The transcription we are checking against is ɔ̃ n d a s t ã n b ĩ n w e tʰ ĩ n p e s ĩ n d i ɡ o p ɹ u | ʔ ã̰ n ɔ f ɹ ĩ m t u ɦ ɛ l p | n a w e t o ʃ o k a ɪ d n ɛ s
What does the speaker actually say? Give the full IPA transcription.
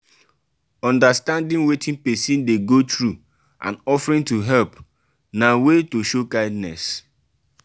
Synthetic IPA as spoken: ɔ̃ n d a s t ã n d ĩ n w e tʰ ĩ n p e s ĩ n d e ɡ o t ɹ u | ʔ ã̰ n ɔ f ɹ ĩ n t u ɦ ɛ l p | n a w e t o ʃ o k a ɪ d n ɛ s

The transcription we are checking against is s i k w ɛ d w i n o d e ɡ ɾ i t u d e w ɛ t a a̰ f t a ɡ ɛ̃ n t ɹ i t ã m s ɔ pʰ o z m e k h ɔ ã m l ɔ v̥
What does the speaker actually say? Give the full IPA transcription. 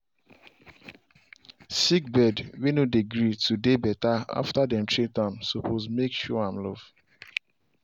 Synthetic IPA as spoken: s i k b ɛ d w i n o d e ɡ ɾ i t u d e b ɛ t a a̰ f t a d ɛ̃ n t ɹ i t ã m s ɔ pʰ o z m e k ʃ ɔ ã m l ɔ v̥

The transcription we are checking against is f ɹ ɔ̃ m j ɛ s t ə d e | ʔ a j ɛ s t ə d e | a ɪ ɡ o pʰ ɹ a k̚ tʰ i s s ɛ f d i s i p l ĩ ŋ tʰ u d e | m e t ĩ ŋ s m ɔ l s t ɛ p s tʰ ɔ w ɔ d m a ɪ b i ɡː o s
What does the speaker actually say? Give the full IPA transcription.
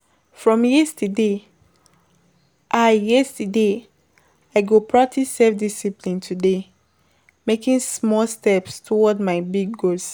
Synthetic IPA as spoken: f ɹ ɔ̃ m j ɛ s t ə d e | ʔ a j ɛ s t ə d e | a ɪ ɡ o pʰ ɹ a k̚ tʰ i s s ɛ f d i s i p l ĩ n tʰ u d e | m e k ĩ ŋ s m ɔ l s t ɛ p s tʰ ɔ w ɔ d m a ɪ b i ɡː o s

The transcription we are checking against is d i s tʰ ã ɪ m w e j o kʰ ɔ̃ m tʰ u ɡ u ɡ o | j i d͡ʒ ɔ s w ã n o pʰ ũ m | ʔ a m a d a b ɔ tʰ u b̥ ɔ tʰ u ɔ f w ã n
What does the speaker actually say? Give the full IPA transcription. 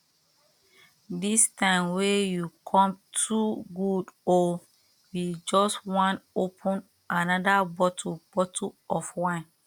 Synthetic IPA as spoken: d i s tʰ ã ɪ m w e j u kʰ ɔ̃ m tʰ u ɡ u d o | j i d͡ʒ ɔ s w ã n o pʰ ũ n | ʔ a n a d a b ɔ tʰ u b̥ ɔ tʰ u ɔ f w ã n

